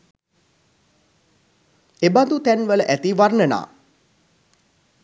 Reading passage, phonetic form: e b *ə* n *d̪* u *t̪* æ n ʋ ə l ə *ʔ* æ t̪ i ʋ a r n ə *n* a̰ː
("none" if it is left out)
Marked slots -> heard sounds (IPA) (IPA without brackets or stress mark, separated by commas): a, d̪, t̪, ʔ, n